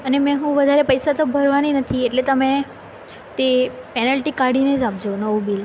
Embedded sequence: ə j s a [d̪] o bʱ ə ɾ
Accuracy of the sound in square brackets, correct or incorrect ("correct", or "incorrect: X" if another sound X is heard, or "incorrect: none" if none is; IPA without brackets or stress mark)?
incorrect: t̪